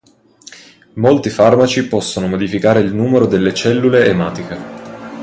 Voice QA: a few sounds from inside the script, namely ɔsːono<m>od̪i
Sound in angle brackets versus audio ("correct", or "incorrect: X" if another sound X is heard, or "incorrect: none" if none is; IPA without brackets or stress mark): correct